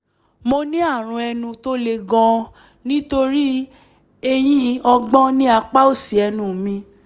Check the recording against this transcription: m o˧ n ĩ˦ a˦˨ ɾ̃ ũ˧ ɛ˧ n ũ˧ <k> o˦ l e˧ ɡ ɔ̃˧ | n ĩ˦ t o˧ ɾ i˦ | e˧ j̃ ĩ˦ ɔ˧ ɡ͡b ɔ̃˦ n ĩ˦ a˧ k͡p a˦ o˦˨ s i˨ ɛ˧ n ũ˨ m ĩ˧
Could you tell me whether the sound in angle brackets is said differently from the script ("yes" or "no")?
yes